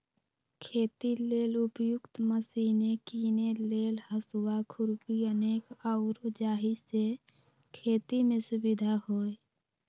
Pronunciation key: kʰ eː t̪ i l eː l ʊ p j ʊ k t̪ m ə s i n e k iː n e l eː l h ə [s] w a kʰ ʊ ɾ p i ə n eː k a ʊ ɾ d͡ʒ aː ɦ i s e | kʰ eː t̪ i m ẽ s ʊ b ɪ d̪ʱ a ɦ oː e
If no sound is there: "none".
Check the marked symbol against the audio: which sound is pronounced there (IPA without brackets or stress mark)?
s